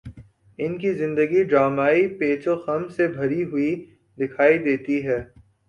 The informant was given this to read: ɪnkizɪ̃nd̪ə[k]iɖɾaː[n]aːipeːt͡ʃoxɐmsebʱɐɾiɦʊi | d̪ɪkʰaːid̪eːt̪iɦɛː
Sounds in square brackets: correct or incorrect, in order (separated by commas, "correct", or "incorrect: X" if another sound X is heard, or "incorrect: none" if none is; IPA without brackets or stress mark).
incorrect: ɡ, incorrect: m